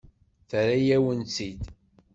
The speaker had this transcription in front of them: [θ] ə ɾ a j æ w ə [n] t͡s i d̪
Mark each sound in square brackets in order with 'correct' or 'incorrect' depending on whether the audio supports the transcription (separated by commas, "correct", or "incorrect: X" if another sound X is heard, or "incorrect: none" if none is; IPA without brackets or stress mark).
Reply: correct, correct